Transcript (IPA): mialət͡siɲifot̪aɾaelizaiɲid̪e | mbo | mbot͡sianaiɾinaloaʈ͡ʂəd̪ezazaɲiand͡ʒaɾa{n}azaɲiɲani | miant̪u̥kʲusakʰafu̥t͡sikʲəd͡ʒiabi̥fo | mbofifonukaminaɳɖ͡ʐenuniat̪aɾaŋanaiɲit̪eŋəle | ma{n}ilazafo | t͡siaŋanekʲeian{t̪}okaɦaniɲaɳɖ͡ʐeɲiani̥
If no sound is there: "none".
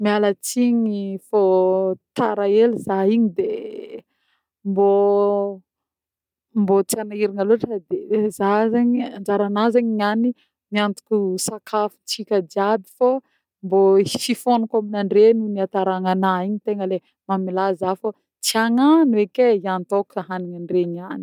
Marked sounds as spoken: n, m, t̪

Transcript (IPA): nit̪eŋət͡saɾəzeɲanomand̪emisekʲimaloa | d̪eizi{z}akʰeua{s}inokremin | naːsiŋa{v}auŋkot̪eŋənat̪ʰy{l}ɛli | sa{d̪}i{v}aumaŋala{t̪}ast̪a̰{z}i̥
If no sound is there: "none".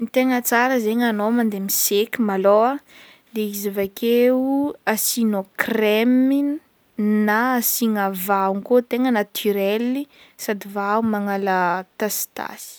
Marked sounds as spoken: v, s, v, ɾ, d̪, v, t̪, s

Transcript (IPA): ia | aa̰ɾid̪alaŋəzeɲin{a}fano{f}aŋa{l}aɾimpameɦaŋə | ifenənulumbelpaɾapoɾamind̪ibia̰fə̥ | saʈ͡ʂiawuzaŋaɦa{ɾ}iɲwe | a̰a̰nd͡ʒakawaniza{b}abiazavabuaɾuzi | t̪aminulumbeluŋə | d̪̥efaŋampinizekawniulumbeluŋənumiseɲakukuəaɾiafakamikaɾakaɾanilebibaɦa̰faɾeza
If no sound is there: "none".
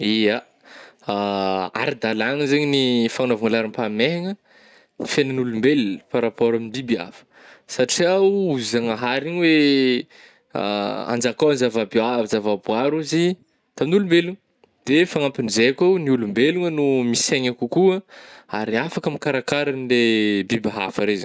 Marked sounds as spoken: i, v, l, ɾ, v

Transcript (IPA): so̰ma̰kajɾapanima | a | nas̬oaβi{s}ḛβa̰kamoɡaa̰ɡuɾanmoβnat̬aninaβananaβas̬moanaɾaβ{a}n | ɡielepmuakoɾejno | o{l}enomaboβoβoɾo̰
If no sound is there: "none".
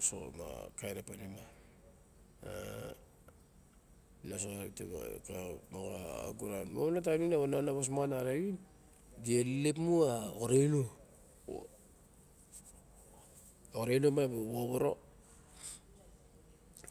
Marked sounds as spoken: t, i, ɾ

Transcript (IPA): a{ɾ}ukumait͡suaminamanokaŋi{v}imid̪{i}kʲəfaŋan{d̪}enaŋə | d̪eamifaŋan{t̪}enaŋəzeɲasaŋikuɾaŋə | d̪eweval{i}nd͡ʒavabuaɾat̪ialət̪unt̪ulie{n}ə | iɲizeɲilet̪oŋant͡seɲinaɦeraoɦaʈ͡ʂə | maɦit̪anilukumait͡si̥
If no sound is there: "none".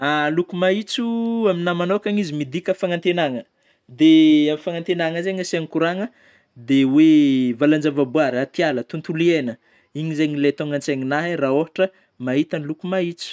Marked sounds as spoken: l, z, i, t̪, t̪, a, n

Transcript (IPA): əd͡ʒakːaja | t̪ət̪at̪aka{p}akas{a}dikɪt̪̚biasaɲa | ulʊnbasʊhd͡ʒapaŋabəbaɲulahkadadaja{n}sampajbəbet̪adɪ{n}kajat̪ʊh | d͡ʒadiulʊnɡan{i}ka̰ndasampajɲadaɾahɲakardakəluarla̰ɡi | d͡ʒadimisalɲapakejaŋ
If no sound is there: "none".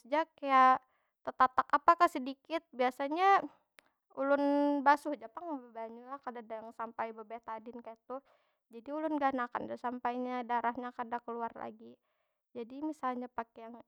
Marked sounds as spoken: p, ə, ŋ, n, a

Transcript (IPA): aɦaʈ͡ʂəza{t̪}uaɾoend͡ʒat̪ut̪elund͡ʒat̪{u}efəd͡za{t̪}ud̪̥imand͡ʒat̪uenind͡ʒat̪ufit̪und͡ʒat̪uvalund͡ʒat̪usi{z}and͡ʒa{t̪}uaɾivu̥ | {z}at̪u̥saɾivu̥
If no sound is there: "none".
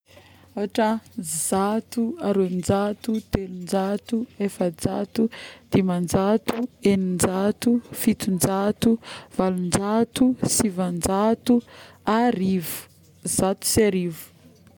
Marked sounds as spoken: t̪, u, t̪, v, t̪, z

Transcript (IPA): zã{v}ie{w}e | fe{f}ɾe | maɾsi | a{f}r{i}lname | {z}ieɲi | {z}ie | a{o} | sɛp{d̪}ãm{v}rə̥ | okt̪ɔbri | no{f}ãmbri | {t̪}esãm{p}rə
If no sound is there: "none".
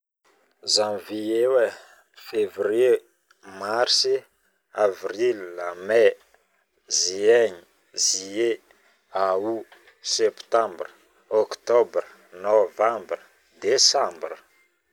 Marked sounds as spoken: v, w, v, v, i, z, z, u, t̪, b, v, d̪, b

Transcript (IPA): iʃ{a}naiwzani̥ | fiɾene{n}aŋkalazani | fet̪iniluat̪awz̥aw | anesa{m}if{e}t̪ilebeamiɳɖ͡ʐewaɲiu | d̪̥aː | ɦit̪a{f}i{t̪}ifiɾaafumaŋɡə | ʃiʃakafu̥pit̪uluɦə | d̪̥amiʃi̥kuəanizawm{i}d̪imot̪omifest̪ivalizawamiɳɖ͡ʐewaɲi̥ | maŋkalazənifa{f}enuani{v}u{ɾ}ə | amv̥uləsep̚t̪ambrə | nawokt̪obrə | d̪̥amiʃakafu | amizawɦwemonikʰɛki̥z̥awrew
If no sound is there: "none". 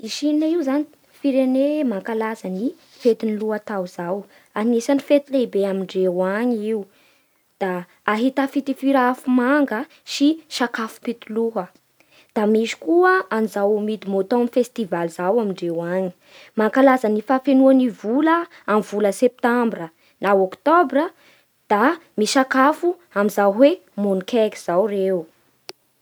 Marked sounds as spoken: i, m, n, e, f, t̪, i, f, v, l

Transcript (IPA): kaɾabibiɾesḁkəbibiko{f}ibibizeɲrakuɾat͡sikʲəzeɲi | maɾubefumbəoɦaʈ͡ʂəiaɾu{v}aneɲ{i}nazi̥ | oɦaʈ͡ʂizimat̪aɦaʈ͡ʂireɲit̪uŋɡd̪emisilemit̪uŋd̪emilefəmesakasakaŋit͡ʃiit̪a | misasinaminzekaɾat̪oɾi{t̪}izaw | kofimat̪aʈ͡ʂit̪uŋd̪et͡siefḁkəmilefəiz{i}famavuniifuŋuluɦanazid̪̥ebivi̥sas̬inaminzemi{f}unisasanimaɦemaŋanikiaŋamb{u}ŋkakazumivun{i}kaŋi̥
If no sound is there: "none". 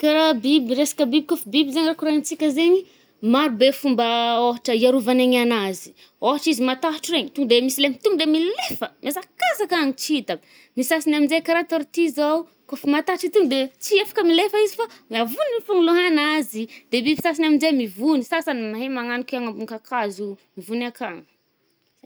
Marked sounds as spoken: f, v, a, t̪, i, v, u, a

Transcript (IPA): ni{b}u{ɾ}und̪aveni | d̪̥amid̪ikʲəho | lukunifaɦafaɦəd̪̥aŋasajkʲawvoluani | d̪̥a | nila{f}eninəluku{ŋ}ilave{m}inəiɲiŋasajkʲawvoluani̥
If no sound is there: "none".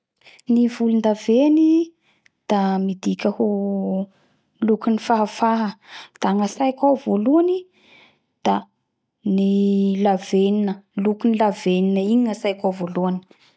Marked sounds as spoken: v, l, v, n, n

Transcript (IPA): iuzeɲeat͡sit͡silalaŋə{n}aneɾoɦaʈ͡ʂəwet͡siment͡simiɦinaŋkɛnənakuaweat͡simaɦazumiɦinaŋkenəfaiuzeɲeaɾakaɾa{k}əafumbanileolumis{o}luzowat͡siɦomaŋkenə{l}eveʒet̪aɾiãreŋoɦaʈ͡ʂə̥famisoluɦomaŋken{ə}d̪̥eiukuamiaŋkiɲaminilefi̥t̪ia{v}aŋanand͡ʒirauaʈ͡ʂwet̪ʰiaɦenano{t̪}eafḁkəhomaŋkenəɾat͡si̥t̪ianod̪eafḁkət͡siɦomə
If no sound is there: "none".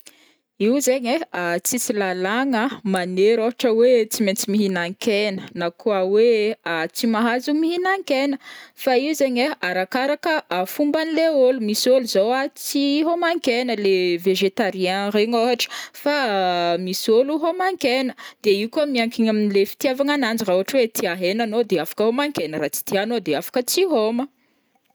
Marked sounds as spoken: m, k, o, l, ə, v, d̪

